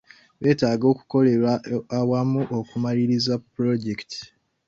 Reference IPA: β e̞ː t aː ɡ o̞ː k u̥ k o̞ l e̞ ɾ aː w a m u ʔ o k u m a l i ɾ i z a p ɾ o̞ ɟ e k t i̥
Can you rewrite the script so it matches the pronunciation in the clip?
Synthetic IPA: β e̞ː t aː ɡ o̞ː k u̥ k o̞ l e̞ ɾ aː w a m u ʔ o k u m a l i ɾ i z a p ɾ o̞ ɟ e k t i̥